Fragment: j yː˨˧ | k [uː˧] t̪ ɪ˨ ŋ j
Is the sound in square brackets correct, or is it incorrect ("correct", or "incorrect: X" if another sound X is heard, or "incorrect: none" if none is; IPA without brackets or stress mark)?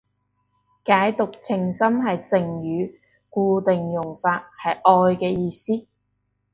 correct